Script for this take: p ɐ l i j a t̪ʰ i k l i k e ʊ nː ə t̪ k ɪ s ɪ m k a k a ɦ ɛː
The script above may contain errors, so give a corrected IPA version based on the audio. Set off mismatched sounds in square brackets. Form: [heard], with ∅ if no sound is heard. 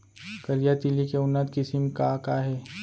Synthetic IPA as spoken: [k] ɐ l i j a [t̪] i [∅] l i k e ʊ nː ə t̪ k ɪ s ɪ m k a k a ɦ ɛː